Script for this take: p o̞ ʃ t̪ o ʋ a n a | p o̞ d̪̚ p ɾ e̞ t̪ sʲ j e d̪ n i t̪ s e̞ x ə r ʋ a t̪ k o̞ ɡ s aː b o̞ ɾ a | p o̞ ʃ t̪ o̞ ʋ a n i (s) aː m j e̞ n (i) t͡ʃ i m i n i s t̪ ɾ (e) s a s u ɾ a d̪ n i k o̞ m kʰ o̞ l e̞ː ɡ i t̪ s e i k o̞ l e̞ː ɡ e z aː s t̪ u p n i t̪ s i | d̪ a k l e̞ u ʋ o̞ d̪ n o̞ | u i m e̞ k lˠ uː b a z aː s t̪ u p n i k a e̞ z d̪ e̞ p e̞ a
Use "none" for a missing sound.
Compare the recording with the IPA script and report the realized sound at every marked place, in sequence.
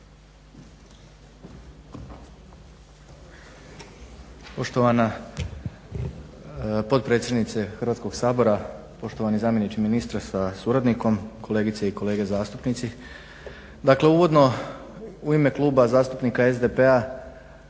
z, i, a

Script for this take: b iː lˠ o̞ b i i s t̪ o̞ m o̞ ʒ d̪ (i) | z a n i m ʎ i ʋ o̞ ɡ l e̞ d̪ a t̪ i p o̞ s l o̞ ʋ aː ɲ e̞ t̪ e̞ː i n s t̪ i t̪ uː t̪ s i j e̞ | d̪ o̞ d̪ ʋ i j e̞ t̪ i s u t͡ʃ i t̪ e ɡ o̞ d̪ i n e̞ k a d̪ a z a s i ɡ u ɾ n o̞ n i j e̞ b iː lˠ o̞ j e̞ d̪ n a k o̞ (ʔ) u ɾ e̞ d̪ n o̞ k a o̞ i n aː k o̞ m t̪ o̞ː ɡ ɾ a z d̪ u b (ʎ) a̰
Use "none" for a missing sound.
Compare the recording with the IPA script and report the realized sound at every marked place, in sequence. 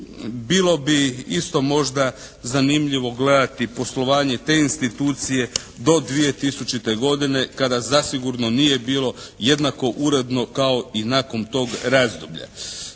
a, ʔ, ʎ

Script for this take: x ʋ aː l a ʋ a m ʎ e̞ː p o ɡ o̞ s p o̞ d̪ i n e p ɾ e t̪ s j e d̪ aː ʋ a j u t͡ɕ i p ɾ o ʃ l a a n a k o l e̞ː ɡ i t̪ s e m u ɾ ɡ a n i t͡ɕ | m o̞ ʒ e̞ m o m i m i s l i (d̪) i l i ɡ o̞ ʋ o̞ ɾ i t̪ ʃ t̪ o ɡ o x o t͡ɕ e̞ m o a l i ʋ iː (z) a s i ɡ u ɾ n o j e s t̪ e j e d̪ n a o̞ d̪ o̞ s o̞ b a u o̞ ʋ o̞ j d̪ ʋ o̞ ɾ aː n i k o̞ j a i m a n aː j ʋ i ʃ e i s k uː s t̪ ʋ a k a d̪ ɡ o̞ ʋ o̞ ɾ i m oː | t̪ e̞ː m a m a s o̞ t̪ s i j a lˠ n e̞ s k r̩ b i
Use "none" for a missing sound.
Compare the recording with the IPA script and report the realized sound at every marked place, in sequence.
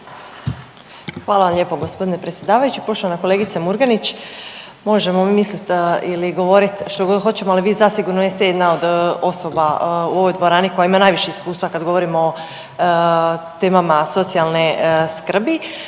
t̪, z

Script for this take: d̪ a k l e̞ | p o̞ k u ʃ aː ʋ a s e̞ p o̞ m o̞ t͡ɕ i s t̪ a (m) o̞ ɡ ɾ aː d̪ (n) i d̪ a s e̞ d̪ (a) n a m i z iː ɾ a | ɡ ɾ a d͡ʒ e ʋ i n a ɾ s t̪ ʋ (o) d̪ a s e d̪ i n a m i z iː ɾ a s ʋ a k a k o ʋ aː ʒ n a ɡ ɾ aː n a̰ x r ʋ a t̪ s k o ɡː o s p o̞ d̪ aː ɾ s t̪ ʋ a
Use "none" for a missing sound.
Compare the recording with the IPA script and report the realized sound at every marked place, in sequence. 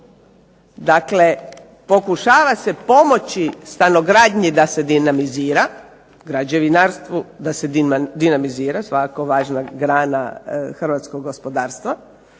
n, ɲ, i, u

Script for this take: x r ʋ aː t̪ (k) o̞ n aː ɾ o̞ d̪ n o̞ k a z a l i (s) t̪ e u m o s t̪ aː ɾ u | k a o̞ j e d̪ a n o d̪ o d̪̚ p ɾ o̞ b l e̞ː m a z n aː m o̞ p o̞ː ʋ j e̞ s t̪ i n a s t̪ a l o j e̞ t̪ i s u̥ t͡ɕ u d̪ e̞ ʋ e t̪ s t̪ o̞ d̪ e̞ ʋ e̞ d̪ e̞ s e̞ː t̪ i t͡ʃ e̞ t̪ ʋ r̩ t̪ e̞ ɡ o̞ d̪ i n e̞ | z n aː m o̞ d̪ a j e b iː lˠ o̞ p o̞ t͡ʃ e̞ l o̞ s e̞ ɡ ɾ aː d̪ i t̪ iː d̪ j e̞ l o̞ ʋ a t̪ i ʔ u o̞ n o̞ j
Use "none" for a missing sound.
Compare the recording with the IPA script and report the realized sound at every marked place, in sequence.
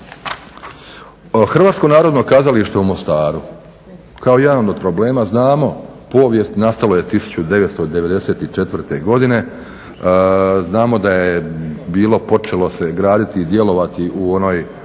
k, ʃ

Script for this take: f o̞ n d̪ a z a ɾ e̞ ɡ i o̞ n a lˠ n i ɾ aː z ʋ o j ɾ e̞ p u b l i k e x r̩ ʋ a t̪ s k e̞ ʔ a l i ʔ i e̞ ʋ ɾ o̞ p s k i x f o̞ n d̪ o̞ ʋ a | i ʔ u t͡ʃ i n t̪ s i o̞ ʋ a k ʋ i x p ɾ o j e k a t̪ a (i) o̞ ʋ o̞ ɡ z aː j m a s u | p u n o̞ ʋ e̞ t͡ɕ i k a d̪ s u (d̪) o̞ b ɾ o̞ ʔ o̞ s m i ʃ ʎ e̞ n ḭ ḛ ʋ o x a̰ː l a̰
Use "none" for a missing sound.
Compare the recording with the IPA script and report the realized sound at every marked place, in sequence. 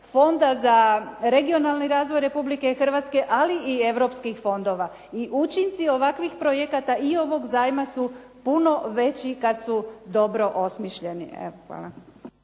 i, d̪

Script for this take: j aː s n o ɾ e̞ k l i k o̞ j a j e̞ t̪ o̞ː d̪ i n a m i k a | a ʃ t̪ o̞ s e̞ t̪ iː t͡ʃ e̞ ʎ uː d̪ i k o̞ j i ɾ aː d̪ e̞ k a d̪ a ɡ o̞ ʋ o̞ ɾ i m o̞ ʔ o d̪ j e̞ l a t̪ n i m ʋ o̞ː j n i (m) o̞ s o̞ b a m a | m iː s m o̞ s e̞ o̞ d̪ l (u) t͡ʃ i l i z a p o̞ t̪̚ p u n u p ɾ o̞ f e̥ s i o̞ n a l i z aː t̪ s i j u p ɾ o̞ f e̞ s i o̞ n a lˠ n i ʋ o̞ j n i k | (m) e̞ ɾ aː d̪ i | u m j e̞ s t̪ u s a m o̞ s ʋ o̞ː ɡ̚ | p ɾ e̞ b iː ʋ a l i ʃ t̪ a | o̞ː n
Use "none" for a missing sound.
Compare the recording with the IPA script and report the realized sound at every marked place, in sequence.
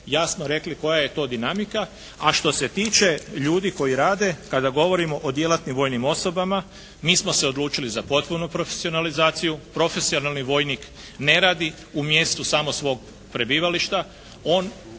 m, uː, n

